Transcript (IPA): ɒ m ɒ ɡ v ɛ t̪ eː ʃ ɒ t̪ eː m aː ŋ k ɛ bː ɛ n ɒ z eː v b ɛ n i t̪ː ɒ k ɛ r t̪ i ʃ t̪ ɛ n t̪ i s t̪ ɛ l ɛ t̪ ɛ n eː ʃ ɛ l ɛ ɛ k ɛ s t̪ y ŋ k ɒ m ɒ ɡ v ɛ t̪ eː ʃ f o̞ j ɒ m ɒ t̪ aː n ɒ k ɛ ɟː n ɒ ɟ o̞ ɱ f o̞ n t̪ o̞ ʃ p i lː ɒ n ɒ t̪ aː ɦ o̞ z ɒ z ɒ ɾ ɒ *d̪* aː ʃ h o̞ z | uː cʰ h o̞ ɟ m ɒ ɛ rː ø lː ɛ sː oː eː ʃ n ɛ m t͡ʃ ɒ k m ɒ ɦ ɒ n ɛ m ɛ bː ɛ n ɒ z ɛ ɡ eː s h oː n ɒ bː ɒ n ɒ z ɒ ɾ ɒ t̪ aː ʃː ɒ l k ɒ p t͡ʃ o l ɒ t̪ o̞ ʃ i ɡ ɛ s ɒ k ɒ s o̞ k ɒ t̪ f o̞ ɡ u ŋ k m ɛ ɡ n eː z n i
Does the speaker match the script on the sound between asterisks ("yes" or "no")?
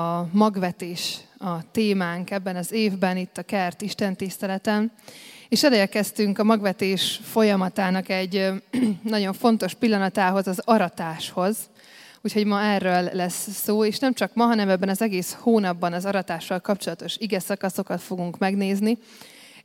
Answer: no